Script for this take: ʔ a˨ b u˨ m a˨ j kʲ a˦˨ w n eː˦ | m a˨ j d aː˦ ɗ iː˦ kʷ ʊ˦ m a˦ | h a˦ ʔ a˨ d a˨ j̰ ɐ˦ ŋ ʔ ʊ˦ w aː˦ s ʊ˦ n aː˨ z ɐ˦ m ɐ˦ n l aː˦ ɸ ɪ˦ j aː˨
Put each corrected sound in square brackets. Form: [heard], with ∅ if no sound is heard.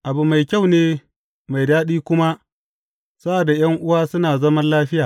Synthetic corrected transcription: ʔ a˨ b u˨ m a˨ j kʲ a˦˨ w n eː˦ | m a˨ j d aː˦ ɗ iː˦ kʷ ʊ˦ m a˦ | [s] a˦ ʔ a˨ d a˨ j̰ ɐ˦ ŋ ʔ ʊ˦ w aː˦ s ʊ˦ n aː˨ z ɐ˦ m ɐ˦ n l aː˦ ɸ ɪ˦ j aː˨